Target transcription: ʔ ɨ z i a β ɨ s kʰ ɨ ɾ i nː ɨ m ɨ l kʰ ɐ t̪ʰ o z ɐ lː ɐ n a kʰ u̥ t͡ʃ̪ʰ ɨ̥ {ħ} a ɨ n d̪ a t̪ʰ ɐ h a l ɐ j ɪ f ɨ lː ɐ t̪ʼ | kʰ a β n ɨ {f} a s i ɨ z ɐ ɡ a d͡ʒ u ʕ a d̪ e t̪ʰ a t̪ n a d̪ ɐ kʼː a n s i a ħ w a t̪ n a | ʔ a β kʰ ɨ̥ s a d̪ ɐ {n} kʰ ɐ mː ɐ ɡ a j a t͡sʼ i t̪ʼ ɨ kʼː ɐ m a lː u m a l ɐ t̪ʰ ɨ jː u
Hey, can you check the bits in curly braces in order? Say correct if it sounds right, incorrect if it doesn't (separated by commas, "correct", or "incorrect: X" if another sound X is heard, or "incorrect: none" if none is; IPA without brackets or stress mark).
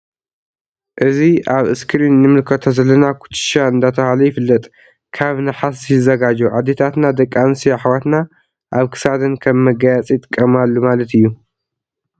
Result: incorrect: ʃ, incorrect: ħ, correct